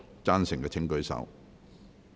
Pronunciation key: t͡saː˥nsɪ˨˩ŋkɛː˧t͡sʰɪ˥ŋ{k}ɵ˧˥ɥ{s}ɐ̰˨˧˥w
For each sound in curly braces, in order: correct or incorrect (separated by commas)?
correct, correct